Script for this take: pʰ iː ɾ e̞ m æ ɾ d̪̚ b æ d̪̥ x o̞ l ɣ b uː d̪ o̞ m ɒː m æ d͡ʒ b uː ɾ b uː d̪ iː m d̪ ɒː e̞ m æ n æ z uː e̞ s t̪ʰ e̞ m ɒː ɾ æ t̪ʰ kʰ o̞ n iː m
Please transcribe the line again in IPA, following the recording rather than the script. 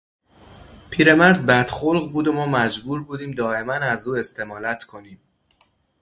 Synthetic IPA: pʰ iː ɾ e̞ m æ ɾ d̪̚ b æ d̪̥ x o̞ l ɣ b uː d̪ o̞ m ɒː m æ d͡ʒ b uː ɾ b uː d̪ iː m d̪ ɒː e̞ m æ n æ z uː e̞ s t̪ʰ e̞ m ɒː l æ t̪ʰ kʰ o̞ n iː m